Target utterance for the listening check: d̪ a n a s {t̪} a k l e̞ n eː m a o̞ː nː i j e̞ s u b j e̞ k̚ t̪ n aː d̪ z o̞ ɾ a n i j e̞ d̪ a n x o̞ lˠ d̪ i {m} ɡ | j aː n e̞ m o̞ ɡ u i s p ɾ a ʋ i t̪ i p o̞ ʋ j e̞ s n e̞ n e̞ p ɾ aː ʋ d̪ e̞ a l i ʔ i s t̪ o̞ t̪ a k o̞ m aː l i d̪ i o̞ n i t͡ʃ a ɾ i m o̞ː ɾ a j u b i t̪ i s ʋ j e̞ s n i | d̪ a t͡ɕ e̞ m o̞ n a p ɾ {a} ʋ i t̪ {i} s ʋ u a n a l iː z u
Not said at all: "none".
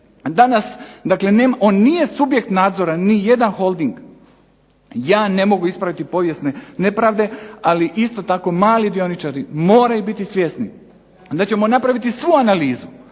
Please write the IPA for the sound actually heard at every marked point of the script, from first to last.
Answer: d̪, ŋ, a, i

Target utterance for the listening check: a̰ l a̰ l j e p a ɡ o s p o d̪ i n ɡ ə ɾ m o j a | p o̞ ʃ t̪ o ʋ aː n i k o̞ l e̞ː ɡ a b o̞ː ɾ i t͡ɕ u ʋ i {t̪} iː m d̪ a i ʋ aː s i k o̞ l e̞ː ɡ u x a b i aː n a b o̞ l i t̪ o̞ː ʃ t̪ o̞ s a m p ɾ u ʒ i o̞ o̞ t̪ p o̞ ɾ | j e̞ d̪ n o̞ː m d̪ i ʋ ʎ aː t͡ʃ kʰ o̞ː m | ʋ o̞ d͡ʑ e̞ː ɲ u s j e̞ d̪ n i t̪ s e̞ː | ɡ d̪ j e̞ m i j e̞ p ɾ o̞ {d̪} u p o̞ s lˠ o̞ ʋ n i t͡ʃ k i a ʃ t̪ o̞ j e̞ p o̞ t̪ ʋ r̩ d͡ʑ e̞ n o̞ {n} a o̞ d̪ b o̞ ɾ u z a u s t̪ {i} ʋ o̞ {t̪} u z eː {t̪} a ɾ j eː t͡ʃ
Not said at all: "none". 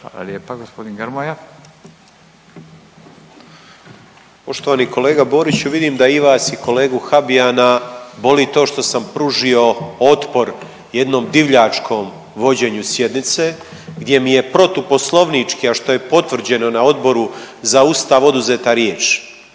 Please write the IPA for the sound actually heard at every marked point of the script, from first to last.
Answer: d̪, t̪, n, a, d̪, t̪

